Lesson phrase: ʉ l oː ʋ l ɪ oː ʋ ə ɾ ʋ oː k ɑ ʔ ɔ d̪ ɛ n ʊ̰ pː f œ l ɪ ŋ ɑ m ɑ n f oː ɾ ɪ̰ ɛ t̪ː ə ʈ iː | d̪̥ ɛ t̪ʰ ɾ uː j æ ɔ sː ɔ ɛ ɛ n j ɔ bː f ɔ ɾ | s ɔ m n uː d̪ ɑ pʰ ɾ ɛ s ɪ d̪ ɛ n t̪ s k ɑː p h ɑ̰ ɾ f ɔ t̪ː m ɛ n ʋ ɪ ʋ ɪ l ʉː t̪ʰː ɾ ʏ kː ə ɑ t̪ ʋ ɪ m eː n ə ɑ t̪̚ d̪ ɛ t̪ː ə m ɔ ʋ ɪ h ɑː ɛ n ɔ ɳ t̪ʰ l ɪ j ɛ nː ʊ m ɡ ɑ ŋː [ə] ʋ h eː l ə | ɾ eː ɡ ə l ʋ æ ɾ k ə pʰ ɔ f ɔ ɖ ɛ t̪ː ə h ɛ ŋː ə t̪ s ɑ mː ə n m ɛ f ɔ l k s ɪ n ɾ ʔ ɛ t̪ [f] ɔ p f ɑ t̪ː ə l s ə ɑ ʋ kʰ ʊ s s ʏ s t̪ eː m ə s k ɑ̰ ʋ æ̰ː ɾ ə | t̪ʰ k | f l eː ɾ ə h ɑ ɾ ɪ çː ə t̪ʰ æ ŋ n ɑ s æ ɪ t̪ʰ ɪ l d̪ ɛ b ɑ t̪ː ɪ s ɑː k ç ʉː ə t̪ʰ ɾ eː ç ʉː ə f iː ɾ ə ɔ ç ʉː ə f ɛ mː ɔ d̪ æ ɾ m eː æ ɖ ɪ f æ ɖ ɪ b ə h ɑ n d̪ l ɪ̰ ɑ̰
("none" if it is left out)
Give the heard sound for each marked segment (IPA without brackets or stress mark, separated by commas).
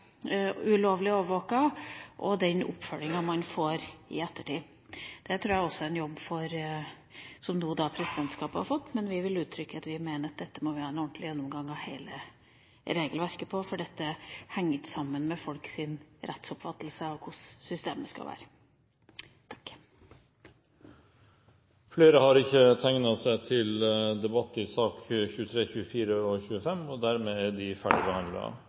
ɑ, s